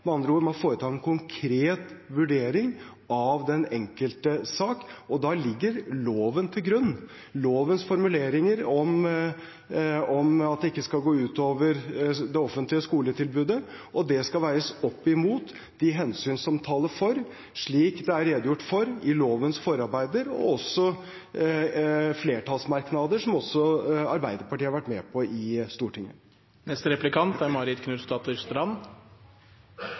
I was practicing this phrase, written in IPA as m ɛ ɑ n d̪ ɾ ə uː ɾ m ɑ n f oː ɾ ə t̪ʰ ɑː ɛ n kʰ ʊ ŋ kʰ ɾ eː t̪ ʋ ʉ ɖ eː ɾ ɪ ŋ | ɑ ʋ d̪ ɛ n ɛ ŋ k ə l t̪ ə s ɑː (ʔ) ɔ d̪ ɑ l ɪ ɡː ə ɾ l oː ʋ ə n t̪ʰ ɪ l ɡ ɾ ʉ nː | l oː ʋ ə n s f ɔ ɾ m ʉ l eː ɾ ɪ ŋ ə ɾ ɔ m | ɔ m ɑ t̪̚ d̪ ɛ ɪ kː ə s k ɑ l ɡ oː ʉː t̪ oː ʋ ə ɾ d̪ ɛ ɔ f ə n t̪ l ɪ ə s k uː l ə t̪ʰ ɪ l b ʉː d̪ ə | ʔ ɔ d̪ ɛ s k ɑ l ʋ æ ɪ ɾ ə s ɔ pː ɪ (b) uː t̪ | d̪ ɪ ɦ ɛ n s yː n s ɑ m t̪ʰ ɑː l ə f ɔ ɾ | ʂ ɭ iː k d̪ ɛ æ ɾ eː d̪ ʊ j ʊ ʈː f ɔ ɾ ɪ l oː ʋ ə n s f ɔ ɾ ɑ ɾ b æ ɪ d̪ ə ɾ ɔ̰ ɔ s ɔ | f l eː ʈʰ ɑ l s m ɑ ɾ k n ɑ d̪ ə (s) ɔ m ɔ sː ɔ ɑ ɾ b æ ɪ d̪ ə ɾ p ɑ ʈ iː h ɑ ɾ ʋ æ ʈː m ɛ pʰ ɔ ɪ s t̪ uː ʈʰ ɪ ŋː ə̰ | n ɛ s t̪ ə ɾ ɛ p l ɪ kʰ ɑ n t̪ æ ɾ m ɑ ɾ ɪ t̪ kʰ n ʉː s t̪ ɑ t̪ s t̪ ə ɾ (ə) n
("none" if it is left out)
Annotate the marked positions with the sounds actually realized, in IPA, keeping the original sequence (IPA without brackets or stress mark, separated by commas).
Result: k, m, ʂ, ɑ